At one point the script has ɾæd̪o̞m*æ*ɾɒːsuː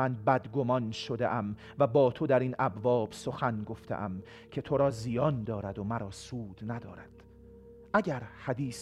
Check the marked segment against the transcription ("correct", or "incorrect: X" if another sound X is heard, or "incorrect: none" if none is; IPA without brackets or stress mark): correct